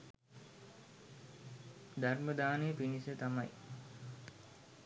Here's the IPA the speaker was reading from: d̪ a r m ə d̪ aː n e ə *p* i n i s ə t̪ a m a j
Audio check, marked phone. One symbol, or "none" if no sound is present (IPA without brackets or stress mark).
p